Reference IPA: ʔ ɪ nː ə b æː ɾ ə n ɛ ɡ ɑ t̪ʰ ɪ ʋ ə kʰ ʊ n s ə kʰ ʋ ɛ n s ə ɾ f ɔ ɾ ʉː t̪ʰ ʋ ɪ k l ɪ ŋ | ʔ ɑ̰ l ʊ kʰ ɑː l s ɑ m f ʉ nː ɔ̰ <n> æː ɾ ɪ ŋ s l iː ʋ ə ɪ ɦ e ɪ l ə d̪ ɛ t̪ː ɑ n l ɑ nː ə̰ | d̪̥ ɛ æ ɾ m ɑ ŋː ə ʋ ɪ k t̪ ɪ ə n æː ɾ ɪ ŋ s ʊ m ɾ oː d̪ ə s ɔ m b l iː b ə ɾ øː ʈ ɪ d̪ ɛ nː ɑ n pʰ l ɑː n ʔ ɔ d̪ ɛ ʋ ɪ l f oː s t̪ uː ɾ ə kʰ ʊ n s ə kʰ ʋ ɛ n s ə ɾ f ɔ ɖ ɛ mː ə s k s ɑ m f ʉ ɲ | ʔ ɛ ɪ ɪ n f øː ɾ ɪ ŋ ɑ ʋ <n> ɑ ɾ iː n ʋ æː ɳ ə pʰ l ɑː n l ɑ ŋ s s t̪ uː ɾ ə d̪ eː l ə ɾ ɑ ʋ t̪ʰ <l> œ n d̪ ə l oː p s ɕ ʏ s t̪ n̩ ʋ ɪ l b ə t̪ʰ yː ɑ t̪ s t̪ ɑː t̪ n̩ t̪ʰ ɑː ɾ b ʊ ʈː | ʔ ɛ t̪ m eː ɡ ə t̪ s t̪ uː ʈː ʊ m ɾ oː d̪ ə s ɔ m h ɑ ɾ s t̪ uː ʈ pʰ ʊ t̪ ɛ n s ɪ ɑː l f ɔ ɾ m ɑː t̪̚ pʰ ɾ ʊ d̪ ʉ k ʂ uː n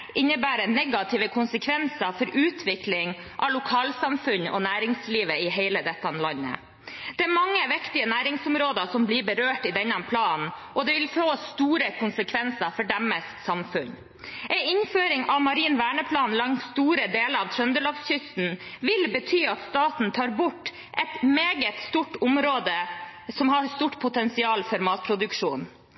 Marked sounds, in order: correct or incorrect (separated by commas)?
correct, incorrect, incorrect